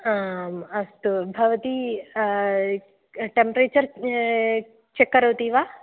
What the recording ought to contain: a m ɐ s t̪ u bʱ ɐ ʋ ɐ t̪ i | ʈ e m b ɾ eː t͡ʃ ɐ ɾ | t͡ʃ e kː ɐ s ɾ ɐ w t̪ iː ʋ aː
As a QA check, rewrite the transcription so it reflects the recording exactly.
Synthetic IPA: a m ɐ s t̪ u bʱ ɐ ʋ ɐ t̪ i | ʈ e m p ɾ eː t͡ʃ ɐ ɾ | t͡ʃ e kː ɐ ɾ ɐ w t̪ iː ʋ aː